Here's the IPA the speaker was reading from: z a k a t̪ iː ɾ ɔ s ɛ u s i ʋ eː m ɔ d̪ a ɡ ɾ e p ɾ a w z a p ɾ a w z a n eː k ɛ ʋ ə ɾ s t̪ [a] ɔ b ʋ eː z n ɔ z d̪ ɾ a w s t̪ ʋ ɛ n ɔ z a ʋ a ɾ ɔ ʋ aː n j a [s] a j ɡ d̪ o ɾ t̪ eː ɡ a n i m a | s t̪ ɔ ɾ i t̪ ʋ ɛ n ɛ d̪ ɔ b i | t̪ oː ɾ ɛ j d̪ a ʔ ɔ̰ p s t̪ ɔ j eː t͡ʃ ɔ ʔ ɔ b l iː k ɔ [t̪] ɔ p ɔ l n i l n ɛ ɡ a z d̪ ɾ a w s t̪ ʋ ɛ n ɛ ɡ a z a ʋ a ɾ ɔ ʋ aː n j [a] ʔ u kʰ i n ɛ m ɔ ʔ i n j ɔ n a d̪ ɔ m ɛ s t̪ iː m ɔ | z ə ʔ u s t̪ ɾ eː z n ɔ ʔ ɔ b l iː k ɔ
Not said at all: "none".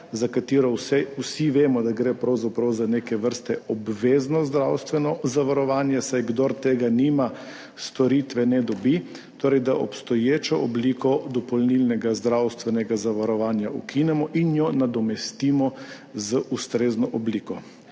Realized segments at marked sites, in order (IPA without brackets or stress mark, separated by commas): ɛ, s, d̪, a